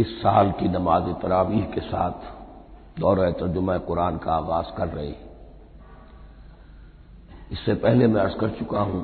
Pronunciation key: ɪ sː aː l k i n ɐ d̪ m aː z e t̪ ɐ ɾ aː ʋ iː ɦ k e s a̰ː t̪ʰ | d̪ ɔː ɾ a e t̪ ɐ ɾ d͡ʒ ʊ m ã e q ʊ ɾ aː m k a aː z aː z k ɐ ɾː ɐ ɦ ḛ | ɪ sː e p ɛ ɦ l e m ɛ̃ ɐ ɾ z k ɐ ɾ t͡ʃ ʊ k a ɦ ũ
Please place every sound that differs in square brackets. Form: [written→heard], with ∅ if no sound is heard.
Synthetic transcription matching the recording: ɪ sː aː l k i n ɐ [d̪→∅] m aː z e t̪ ɐ ɾ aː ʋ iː ɦ k e s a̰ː t̪ʰ | d̪ ɔː ɾ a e t̪ ɐ ɾ d͡ʒ ʊ m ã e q ʊ ɾ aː [m→n] k a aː [z→ɣ] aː z k ɐ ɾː ɐ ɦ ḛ | ɪ sː e p ɛ ɦ l e m ɛ̃ ɐ ɾ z k ɐ ɾ t͡ʃ ʊ k a ɦ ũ